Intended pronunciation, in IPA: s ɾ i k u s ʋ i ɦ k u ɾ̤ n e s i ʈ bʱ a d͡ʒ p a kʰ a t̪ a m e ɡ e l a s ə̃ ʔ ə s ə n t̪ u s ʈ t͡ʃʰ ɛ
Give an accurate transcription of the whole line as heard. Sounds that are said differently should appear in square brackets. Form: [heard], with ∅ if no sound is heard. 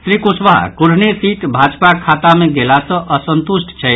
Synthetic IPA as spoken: s ɾ i k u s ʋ [a] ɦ k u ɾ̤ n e s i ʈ bʱ a d͡ʒ p a kʰ a t̪ a m e ɡ e l a s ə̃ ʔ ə s ə n t̪ u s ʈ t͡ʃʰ ɛ